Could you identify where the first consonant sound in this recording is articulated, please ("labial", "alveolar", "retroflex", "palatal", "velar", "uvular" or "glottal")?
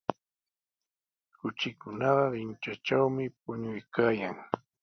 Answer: velar